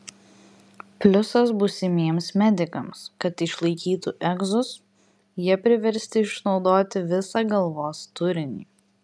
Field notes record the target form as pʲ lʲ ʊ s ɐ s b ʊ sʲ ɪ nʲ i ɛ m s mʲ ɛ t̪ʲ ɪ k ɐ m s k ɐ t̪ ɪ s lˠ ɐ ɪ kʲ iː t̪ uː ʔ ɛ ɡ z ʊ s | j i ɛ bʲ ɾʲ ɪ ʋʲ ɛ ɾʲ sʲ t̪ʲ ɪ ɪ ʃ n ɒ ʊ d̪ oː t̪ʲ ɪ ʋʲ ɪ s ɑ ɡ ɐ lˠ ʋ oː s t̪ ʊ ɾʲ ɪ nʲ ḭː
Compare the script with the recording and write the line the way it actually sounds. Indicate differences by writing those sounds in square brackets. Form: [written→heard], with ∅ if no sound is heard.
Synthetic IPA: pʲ lʲ ʊ s ɐ s b ʊ sʲ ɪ [nʲ→mʲ] i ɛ m s mʲ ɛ [t̪ʲ→d̪ʲ] ɪ k ɐ m s k ɐ t̪ ɪ [s→ʃ] lˠ ɐ ɪ kʲ iː t̪ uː ʔ ɛ ɡ z ʊ s | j i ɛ [bʲ→pʲ] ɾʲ ɪ ʋʲ ɛ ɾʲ sʲ t̪ʲ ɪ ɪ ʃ n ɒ ʊ d̪ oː t̪ʲ ɪ ʋʲ ɪ s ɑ ɡ ɐ lˠ ʋ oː s t̪ ʊ ɾʲ ɪ nʲ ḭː